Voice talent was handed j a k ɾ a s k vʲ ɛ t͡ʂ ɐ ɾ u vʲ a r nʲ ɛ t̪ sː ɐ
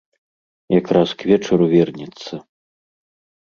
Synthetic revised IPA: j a k ɾ a s k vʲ ɛ t͡ʂ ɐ ɾ u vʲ ɛ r nʲ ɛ t̪ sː ɐ